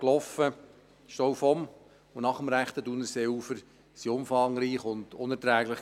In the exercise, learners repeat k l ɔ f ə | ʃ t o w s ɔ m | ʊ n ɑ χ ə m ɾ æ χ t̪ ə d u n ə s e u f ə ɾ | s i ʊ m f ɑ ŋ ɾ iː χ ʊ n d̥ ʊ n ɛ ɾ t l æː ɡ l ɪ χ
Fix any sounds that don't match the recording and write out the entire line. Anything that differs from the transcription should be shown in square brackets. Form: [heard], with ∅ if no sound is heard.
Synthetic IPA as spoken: k l ɔ f ə | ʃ t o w [f] ɔ m | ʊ n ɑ χ ə m ɾ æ χ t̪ ə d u n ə s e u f ə ɾ | s i ʊ m f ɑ ŋ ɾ iː χ ʊ n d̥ ʊ n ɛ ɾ t [ɾ] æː ɡ l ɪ χ